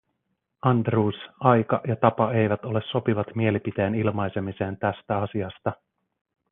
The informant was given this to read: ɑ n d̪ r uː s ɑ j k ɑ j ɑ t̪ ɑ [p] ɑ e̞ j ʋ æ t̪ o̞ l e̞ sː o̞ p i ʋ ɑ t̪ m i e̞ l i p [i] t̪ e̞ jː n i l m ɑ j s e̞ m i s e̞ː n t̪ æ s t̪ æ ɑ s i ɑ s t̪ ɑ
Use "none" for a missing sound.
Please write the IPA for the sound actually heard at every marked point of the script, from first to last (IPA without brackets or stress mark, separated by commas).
p, i